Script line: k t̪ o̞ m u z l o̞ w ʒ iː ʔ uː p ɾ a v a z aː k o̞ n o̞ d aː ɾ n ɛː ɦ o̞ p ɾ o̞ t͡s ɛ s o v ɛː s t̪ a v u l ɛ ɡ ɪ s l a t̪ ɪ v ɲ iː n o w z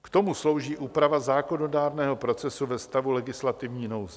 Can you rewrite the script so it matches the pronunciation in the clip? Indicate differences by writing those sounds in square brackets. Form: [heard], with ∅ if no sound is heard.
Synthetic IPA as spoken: k t̪ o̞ m u [s] l o̞ w ʒ iː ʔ uː p ɾ a v a z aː k o̞ n o̞ d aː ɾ n ɛː ɦ o̞ p ɾ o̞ t͡s ɛ s [u] v [ɛ] s t̪ a v u l ɛ ɡ ɪ s l a t̪ ɪ v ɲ iː n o w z